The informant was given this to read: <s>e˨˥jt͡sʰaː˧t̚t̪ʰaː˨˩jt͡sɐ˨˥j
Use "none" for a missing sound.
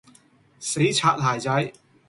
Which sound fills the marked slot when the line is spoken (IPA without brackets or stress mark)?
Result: s